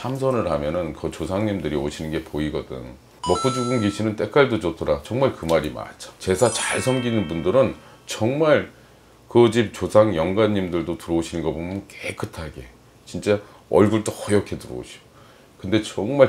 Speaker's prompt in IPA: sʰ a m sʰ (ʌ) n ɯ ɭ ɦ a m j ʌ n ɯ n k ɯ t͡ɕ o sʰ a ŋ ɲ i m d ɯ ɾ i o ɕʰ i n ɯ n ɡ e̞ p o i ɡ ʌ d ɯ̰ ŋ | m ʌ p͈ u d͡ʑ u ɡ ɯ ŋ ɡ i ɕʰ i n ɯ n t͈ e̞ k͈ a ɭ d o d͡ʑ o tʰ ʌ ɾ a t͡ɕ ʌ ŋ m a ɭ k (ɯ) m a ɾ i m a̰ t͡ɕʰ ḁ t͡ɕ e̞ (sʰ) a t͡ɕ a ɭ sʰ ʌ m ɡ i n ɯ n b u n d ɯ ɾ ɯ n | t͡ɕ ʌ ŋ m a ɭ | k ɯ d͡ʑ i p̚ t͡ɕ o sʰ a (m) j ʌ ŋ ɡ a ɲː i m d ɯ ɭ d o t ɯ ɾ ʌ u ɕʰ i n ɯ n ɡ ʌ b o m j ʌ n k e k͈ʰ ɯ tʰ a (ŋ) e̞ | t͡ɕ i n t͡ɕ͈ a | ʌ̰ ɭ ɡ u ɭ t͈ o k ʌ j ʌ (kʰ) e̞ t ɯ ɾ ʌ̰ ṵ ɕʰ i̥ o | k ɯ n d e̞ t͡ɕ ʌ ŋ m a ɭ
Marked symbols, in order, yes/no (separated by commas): yes, yes, yes, no, no, yes